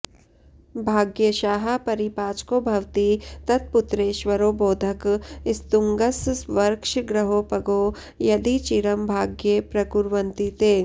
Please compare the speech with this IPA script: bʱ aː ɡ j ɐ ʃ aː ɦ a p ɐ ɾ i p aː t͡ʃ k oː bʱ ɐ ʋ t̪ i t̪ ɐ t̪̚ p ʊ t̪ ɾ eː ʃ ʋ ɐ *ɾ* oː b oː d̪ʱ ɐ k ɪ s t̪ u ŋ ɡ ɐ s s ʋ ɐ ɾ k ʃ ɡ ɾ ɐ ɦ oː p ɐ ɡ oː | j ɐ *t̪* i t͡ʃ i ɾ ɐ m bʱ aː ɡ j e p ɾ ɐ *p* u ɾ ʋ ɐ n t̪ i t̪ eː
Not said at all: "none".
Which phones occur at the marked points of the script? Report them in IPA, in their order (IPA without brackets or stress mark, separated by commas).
ɾ, d̪, k